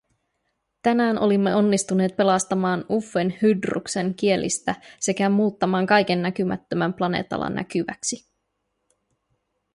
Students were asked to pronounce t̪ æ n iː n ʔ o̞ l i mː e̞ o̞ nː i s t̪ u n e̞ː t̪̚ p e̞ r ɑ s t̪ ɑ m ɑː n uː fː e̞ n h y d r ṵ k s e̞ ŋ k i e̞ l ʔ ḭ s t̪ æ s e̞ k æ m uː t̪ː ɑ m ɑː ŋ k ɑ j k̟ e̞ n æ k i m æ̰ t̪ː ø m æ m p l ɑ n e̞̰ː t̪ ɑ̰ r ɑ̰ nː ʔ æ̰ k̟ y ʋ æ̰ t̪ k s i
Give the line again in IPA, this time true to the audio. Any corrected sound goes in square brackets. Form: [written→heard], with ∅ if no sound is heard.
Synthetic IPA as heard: t̪ æ n [iː→æː] n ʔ o̞ l i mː e̞ o̞ nː i s t̪ u n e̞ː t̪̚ p e̞ [r→l] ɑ s t̪ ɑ m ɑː n [uː→u] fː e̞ n h y d r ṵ k s e̞ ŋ k i e̞ l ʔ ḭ s t̪ æ s e̞ k æ m uː t̪ː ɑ m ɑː ŋ k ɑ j k̟ e̞ [n→nː] æ k [i→y] m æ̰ t̪ː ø m æ m p l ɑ n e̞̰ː t̪ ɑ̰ [r→l] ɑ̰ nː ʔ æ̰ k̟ y ʋ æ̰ [t̪→∅] k s i